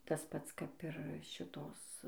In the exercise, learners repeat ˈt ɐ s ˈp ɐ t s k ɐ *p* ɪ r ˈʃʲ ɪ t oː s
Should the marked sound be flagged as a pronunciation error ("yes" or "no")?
no